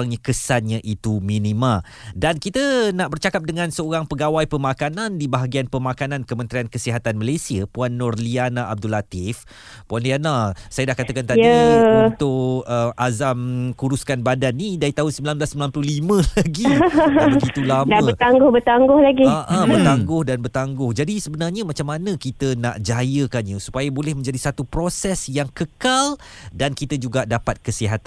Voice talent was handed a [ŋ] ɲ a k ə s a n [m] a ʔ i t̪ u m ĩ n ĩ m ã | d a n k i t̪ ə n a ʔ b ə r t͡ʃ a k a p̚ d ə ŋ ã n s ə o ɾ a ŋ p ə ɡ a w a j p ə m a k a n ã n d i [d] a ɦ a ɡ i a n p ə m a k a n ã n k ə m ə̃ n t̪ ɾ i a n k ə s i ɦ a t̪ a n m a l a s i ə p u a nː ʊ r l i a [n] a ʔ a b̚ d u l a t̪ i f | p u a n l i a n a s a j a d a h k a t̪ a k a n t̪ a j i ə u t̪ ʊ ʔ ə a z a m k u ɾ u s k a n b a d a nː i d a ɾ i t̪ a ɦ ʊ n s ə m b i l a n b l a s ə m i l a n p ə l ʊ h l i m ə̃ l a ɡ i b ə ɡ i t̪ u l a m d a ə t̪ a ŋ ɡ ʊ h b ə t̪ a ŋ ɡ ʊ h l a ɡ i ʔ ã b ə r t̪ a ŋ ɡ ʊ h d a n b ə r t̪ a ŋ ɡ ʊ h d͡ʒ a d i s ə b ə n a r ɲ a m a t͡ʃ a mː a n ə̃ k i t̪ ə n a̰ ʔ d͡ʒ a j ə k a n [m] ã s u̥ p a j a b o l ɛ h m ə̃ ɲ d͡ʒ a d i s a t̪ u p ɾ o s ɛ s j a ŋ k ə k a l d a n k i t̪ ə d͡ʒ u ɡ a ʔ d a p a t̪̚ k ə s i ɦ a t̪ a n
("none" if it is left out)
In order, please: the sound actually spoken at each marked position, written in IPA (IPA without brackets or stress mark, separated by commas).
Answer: ŋ, ɲ, b, n, ɲ